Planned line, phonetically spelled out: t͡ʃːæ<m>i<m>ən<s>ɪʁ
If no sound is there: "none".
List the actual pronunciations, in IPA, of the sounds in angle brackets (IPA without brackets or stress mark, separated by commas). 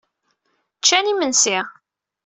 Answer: n, m, s